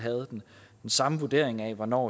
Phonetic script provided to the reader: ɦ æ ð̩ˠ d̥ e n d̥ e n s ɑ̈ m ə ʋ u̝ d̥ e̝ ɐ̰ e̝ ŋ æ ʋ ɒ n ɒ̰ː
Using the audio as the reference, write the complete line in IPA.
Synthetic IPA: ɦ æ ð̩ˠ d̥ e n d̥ e n s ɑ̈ m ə ʋ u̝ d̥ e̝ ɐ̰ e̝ ŋ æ ʋ ɒ n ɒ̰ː